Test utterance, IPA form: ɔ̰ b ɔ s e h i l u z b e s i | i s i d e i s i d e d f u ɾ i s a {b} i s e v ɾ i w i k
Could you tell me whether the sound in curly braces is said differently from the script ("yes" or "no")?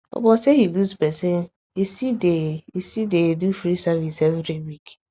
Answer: yes